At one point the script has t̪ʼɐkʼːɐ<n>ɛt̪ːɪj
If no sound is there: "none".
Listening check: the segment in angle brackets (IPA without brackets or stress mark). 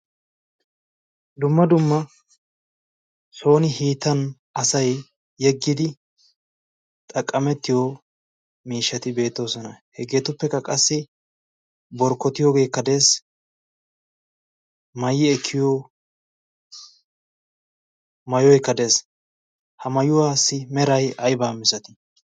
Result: m